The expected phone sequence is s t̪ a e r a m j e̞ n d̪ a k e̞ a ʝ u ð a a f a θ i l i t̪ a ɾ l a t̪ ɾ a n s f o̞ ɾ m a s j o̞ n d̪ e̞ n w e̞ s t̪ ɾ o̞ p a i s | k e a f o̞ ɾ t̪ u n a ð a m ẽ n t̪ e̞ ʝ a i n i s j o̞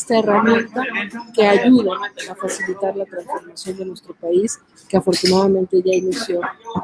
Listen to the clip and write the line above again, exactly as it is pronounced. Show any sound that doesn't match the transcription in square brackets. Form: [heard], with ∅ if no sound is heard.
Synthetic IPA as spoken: s t̪ a e r a m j e̞ n [t̪] a k e̞ a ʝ u ð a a f a [s] i l i t̪ a ɾ l a t̪ ɾ a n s f o̞ ɾ m a s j o̞ n d̪ e̞ n w e̞ s t̪ ɾ o̞ p a i s | k e a f o̞ ɾ t̪ u n a ð a m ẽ n t̪ e̞ ʝ a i n i s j o̞